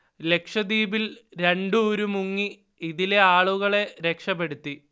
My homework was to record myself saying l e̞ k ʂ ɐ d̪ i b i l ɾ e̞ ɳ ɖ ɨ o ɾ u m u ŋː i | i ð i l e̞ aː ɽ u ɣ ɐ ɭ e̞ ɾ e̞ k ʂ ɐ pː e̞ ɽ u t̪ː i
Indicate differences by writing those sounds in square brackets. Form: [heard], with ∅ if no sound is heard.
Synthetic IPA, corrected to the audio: l e̞ k ʂ ɐ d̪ [iː] b i l ɾ e̞ ɳ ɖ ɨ o ɾ u m u ŋː i | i ð i l e̞ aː [ɭ] u ɣ ɐ ɭ e̞ ɾ e̞ k ʂ ɐ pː e̞ ɽ u t̪ː i